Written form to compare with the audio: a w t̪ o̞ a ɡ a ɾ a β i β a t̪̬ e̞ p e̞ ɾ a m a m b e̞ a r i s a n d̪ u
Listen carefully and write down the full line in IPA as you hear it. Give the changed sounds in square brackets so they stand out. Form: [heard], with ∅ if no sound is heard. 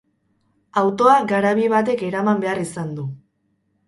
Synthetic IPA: a w t̪ o̞ a ɡ a ɾ a β i β a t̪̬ e̞ [k] e̞ ɾ a m a m b e̞ a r i s a n d̪ u